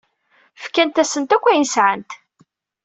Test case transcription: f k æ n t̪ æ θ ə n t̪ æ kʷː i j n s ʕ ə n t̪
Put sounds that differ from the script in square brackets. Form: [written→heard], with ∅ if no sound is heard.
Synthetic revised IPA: f k æ n t̪ æ [θ→s] ə n t̪ æ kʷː [i→æ] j n s ʕ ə n t̪